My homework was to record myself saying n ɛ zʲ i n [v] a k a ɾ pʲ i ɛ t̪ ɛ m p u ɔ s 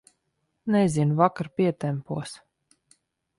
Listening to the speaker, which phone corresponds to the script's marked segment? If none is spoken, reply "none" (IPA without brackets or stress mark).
v